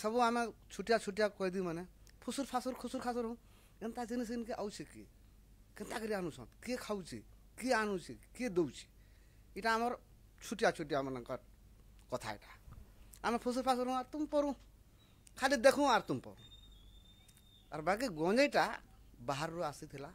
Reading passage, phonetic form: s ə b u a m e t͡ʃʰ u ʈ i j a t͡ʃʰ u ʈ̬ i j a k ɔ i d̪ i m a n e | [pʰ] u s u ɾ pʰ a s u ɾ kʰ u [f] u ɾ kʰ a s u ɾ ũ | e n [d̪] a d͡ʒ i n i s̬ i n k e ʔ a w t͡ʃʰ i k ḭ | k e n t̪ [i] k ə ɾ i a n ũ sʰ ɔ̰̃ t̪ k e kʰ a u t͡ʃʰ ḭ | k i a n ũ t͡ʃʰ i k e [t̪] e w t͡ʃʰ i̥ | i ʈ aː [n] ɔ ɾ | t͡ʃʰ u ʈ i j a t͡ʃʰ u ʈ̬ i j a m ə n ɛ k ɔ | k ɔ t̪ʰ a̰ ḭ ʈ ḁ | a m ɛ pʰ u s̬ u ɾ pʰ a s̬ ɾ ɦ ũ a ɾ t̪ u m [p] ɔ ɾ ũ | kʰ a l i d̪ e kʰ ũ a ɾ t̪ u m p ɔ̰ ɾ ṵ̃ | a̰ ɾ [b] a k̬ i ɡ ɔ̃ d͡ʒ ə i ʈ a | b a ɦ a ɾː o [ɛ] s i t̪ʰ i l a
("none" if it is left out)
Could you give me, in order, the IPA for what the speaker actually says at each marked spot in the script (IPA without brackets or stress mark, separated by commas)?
pʰ, s, t̪, a, d̪, m, p, b, a